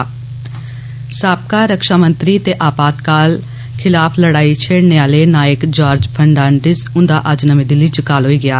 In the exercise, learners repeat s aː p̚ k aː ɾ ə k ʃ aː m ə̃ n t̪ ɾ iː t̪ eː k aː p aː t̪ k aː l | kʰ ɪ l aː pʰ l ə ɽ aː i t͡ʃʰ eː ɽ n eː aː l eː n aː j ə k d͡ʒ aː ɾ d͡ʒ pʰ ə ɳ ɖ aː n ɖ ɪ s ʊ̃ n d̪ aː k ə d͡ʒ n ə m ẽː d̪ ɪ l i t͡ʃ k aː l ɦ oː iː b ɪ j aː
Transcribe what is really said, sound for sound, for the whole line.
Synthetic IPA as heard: s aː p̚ k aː ɾ ə k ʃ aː m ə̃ n t̪ ɾ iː t̪ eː ʔ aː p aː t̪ k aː l | kʰ ɪ l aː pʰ l ə ɽ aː i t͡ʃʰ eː ɽ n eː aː l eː n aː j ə k d͡ʒ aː ɾ d͡ʒ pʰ ə ɳ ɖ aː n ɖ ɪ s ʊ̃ n d̪ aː ʔ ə d͡ʒ n ə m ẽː d̪ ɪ l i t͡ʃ k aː l ɦ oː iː ɡ ɪ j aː